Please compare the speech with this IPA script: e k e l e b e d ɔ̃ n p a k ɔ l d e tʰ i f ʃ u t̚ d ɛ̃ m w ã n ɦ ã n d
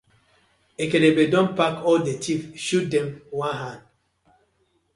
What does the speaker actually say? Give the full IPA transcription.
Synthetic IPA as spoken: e k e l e b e d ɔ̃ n p a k ɔ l d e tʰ i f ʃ u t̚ d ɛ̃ m w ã n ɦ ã n d